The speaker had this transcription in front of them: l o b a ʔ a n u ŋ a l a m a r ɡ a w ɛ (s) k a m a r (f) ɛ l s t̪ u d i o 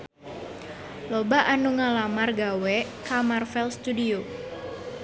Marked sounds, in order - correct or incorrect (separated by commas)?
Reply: incorrect, correct